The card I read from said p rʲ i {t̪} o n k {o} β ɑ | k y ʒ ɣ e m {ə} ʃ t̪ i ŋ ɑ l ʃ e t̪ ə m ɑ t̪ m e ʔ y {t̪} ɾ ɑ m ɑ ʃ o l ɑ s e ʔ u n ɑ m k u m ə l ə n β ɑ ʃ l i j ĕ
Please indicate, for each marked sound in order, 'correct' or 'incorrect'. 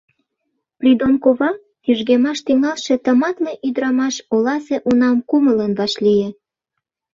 incorrect: d̪, correct, incorrect: ɑ, incorrect: d̪

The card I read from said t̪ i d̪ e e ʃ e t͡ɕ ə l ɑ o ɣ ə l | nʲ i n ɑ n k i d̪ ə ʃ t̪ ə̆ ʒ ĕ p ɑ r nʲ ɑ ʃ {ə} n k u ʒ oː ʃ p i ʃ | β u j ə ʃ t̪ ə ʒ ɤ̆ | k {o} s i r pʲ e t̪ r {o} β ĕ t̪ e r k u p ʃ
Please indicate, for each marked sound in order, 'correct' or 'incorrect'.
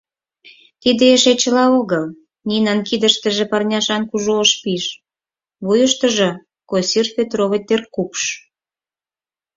incorrect: ɑ, correct, correct

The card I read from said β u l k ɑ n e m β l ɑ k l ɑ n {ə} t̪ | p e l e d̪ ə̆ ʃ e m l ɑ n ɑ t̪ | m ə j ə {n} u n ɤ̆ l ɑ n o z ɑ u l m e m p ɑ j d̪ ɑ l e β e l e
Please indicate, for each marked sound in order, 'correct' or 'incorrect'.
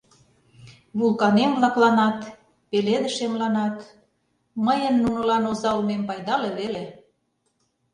incorrect: ɑ, incorrect: nː

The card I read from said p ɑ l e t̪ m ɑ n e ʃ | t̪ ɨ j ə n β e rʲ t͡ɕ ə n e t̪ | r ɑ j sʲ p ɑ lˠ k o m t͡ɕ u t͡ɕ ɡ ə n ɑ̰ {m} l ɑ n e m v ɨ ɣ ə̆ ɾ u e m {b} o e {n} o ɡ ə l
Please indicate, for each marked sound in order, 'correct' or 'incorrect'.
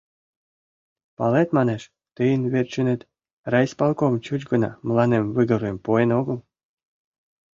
correct, incorrect: p, correct

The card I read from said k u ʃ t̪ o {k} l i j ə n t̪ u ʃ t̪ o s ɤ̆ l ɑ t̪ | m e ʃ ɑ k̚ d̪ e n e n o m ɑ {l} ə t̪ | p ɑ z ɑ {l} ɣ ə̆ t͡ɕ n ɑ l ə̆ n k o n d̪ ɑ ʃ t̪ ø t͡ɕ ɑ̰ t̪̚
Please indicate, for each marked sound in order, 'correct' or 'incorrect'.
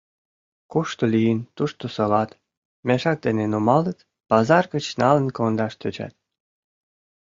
incorrect: none, correct, incorrect: r

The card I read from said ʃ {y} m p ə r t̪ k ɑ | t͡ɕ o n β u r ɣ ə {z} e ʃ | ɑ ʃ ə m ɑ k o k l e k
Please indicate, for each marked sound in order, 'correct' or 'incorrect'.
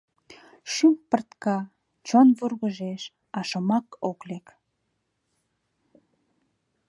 correct, incorrect: ʒ

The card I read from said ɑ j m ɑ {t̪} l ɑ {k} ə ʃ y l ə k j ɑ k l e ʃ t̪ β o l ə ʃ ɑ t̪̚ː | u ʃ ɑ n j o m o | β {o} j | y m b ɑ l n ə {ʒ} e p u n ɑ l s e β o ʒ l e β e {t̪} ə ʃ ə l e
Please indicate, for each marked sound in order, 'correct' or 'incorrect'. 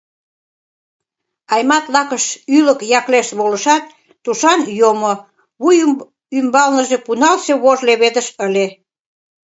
correct, correct, incorrect: u, correct, incorrect: d̪

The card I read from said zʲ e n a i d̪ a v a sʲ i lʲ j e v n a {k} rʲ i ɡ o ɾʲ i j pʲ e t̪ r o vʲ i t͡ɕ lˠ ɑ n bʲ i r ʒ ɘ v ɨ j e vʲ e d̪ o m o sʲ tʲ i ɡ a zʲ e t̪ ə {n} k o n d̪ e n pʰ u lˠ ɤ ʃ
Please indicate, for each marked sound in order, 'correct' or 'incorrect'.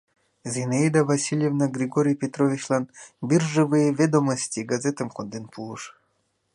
incorrect: ɡ, incorrect: m

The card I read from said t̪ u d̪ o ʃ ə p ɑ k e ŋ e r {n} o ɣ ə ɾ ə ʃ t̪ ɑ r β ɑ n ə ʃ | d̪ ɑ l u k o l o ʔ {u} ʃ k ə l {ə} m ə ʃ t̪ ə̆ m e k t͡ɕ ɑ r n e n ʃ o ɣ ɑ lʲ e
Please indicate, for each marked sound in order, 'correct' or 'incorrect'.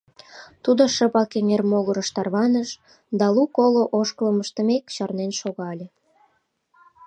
incorrect: m, incorrect: o, correct

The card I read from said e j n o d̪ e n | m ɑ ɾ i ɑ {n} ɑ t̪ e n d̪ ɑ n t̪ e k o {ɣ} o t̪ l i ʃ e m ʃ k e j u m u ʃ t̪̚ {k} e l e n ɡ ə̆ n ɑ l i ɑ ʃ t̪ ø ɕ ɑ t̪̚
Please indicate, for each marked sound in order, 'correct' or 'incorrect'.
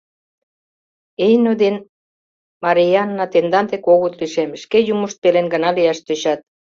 incorrect: nː, correct, incorrect: p

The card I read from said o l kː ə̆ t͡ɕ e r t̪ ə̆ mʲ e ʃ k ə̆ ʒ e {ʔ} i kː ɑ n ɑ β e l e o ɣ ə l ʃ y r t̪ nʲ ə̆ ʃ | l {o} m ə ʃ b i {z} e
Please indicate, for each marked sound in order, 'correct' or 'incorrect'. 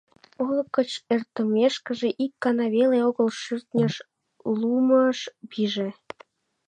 correct, incorrect: u, incorrect: ʒ

